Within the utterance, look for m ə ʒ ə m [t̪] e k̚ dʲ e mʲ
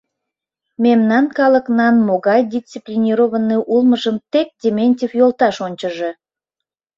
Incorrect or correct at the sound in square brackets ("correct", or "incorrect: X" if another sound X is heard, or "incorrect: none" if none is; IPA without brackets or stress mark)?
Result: correct